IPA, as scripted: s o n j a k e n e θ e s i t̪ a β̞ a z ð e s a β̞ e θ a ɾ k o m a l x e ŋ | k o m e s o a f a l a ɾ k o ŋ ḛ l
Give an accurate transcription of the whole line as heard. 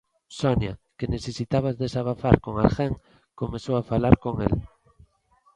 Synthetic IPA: s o n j a k e n e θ e s i t̪ a β̞ a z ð e s a β̞ a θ a ɾ k o ŋ a l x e ŋ | k o m e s o a f a l a ɾ k o ŋ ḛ l